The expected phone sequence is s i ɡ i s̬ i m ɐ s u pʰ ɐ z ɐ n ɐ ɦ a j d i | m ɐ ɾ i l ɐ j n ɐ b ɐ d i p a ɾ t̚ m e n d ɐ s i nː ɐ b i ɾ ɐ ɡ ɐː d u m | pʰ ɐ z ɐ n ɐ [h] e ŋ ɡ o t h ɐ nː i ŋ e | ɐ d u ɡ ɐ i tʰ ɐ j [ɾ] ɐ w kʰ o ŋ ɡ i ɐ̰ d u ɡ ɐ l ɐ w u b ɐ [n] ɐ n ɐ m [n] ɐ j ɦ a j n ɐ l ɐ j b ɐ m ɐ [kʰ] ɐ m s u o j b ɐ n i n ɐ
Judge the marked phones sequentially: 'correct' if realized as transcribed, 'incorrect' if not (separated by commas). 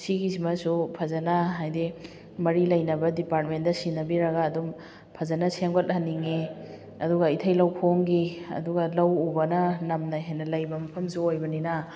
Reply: incorrect, incorrect, correct, correct, incorrect